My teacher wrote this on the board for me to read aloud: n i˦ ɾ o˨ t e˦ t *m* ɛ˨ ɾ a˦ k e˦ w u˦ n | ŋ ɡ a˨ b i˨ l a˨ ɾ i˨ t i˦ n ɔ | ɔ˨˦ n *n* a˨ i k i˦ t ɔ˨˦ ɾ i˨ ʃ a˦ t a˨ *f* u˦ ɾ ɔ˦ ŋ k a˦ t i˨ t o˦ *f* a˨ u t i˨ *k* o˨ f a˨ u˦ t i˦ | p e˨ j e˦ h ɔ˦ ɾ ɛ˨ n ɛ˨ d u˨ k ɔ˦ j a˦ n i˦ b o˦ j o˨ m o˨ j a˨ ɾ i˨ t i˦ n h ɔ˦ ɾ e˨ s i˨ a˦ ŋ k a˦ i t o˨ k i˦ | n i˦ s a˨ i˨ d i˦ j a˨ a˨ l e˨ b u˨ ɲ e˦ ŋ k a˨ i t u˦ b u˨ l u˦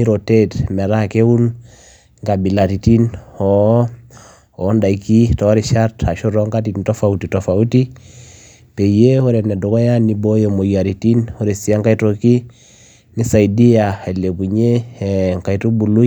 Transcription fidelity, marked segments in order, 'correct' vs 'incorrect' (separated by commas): correct, incorrect, incorrect, correct, incorrect